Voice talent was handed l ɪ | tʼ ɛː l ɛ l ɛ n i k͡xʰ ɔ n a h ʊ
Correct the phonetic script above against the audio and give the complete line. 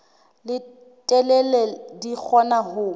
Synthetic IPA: l ɪ | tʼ ɛ l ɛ l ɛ d i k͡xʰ ɔ n a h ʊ